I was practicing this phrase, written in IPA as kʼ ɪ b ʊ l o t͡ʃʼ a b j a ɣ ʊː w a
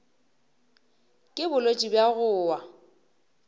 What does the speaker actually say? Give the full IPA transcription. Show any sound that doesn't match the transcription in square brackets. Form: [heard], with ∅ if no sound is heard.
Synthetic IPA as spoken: kʼ ɪ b ʊ l o t͡ʃʼ [i] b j a ɣ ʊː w a